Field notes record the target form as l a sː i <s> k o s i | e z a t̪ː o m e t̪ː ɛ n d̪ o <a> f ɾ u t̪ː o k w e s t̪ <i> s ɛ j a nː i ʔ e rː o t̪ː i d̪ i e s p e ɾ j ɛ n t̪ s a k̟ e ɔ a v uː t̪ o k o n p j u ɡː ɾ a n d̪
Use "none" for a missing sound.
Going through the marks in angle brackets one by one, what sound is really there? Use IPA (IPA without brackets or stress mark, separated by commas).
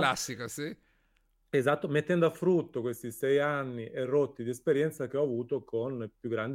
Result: none, a, i